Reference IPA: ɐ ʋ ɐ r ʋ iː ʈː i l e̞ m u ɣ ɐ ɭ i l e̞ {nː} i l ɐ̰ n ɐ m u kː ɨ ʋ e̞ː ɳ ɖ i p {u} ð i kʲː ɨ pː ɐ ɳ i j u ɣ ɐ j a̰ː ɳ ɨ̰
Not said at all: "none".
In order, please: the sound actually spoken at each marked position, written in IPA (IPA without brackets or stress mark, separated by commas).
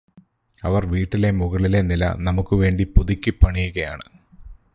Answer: n, u